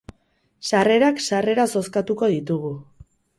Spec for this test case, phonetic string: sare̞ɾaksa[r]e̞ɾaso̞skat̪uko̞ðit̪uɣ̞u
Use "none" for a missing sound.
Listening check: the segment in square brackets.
r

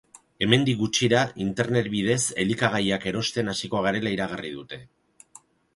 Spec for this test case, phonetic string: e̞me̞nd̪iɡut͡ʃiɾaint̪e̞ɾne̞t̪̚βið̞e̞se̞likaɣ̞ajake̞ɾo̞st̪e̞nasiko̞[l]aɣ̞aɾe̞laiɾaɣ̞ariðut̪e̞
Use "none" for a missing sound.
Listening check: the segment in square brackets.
none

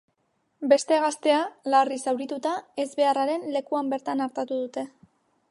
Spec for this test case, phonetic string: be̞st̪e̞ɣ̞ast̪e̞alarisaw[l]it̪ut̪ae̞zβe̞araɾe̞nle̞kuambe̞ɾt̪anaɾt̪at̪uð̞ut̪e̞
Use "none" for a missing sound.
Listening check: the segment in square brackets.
ɾ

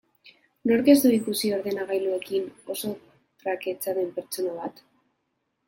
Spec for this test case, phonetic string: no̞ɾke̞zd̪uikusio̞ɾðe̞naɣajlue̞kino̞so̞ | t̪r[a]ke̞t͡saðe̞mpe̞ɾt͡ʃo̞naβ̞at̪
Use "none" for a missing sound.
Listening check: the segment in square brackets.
a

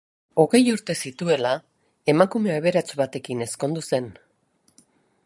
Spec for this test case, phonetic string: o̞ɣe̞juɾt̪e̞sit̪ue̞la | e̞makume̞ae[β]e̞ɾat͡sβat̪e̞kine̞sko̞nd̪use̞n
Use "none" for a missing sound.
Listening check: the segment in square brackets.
β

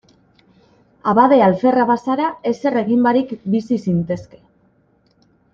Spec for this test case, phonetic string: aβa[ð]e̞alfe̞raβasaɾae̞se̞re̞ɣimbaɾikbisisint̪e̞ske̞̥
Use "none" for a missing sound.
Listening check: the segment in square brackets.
ð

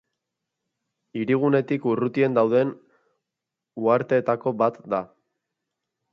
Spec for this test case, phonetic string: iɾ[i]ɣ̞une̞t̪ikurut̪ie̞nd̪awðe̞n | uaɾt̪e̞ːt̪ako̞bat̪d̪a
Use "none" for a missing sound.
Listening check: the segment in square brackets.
i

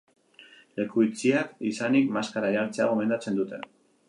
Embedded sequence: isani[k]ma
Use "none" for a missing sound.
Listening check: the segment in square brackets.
k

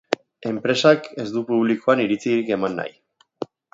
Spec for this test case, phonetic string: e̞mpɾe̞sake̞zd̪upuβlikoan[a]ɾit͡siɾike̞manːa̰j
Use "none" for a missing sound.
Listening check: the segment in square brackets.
i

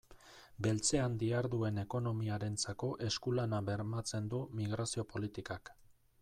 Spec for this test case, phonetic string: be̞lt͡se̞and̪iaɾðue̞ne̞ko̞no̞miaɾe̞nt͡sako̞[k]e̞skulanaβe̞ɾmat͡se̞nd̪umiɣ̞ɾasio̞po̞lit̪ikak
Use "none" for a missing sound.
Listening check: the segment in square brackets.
ʔ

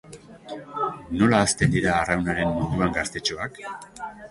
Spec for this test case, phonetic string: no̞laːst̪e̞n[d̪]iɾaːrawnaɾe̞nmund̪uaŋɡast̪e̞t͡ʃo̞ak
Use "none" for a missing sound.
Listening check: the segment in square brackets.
d̪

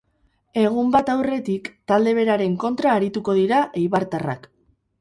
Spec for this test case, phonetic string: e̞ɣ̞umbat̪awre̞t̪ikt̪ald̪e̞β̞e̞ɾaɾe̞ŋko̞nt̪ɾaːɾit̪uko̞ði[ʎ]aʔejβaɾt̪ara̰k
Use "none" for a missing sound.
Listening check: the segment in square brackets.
ɾ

